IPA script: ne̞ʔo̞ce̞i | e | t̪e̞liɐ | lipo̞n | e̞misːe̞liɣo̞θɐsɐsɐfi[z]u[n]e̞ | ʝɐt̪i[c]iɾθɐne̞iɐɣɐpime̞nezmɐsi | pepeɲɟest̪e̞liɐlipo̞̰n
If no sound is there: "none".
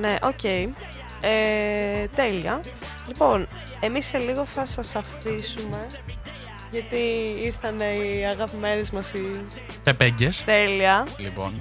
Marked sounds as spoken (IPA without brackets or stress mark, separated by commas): s, m, none